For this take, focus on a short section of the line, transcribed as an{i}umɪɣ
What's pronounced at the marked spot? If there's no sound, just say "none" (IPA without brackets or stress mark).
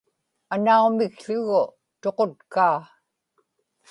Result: a